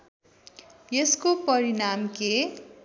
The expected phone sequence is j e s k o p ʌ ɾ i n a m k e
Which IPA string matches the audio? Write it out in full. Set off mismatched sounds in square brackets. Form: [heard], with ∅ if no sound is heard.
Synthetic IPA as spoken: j e s k o p ʌ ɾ i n a m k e